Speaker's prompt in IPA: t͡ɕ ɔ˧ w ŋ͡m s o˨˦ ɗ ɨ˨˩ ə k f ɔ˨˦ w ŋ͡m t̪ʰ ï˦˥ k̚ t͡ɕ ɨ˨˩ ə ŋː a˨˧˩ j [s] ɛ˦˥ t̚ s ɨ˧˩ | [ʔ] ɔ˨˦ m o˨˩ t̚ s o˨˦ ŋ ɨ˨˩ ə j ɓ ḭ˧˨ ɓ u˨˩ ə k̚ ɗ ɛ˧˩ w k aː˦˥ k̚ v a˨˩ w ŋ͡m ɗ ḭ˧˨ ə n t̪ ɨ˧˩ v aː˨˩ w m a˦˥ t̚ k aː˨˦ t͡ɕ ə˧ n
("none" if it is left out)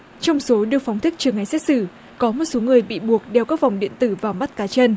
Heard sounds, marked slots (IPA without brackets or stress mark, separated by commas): s, k